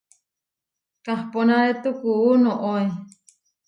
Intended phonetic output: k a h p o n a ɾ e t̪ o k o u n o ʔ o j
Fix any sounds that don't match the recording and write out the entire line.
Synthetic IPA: k a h p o n a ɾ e t̪ u k u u n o ʔ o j